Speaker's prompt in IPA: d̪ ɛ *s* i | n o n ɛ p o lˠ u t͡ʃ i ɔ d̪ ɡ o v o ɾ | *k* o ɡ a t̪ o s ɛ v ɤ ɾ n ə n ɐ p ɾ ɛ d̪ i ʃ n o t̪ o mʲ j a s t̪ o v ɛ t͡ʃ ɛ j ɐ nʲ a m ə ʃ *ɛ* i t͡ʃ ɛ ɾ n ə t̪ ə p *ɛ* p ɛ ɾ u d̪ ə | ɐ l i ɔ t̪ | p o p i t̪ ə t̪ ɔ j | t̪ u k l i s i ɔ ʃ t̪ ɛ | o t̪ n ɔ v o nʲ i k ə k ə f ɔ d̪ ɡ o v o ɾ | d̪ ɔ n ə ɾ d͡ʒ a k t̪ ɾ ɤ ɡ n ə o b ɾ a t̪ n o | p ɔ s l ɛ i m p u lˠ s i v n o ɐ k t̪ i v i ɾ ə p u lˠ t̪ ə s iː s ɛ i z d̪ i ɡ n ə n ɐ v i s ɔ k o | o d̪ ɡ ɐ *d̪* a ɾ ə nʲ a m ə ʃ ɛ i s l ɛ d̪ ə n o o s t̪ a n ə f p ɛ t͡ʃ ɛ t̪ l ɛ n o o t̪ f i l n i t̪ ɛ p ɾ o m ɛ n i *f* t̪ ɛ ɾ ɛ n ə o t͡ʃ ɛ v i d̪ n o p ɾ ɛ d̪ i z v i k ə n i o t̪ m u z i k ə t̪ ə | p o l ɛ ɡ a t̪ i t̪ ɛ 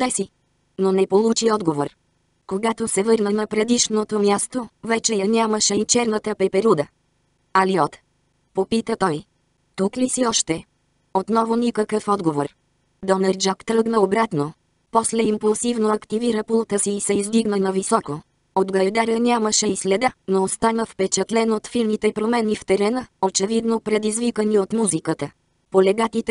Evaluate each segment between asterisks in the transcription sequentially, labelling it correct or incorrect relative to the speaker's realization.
correct, correct, correct, correct, correct, correct

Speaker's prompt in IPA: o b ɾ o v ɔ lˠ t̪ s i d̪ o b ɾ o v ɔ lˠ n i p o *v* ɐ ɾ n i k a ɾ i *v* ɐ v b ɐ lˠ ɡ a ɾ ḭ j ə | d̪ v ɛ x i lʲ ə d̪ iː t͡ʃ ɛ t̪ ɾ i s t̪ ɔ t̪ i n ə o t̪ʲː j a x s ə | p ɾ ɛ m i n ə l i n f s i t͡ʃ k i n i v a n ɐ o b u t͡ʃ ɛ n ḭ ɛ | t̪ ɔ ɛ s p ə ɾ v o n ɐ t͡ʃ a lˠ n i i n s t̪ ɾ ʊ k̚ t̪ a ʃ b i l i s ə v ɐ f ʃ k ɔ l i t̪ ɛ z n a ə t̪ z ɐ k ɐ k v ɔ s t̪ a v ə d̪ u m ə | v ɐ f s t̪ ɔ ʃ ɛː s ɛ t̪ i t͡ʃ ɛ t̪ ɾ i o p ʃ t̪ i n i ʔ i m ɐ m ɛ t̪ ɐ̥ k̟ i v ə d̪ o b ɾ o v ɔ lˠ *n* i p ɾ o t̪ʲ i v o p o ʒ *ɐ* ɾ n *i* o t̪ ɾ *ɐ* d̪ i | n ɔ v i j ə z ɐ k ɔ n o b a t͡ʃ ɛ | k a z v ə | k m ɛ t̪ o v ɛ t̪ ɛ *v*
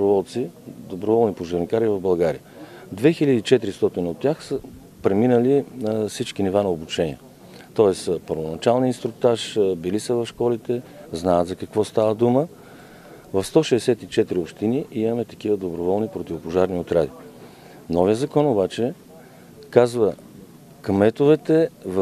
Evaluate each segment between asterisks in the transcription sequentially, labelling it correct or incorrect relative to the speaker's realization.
incorrect: ʒ, correct, correct, incorrect: a, correct, incorrect: a, correct

